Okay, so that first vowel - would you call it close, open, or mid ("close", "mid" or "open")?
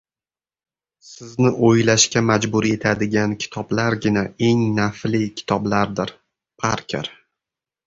close